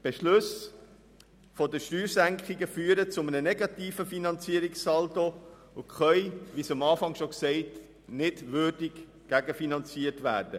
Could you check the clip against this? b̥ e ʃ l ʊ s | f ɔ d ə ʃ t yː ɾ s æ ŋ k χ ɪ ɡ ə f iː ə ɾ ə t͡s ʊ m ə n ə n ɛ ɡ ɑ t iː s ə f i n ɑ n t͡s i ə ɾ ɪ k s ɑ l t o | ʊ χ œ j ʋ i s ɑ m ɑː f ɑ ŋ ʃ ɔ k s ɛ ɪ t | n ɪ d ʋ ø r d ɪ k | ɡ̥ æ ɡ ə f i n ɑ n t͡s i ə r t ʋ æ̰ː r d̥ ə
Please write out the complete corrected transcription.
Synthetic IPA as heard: b̥ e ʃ l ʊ s | f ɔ d ə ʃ t yː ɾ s æ ŋ k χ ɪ ɡ ə f yː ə ɾ ə t͡s ʊ m ə n ə n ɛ ɡ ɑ t iː f ə f i n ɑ n t͡s i ə ɾ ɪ k s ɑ l t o | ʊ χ œ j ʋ i s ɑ m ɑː f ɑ ŋ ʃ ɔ k s ɛ ɪ t | n ɪ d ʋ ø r d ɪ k | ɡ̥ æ ɡ ə f i n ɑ n t͡s i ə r t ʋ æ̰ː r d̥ ə